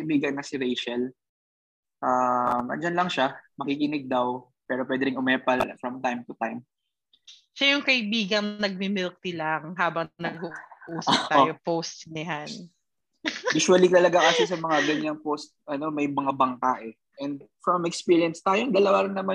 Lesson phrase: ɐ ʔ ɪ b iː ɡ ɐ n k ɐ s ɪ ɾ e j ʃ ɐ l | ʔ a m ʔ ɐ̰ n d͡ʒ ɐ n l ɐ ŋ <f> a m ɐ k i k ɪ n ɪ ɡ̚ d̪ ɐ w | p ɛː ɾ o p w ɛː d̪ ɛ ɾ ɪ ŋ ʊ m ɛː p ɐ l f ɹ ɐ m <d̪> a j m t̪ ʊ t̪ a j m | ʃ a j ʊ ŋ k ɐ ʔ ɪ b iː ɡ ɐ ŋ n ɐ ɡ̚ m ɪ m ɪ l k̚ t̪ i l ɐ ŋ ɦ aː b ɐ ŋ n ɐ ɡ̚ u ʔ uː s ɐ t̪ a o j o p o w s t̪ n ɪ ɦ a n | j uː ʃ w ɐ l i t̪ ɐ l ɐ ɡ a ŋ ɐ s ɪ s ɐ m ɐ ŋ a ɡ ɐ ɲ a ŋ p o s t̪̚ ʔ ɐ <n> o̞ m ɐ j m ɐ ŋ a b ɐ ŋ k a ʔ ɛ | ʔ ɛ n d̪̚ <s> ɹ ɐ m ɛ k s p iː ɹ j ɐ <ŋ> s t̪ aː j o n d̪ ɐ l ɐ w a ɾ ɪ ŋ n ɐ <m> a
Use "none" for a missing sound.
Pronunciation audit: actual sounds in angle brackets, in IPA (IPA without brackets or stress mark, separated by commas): ʃ, t̪, n, f, n, m